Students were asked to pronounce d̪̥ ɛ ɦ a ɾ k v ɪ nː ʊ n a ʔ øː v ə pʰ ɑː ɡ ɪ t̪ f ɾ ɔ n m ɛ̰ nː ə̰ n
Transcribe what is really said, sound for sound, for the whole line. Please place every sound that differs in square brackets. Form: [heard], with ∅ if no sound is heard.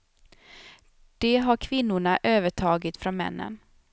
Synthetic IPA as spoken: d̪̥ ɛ ɦ a ɾ [kʰ] v ɪ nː ʊ [ɳ] a ʔ øː v ə [ʈʰ] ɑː ɡ ɪ t̪ f ɾ ɔ n m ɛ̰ nː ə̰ n